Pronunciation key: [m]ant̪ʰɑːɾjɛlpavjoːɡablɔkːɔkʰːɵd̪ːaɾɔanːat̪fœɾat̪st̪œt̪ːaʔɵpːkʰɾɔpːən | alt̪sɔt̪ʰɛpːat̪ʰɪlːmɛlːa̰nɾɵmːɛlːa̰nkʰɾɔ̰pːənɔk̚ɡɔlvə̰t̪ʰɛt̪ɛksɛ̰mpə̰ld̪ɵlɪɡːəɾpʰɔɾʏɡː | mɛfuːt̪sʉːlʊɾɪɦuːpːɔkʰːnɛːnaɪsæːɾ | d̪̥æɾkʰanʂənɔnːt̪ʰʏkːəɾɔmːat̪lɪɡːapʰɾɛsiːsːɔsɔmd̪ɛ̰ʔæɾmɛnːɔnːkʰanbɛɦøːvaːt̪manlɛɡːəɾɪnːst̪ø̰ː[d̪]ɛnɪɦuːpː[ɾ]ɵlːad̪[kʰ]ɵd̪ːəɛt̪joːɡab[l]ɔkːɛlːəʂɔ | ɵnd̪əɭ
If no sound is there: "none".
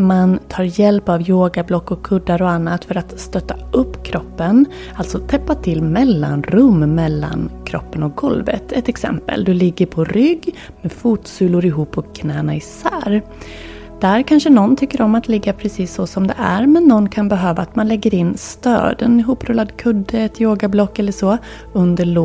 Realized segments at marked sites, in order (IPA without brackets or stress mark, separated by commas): m, d̪, ɾ, kʰ, l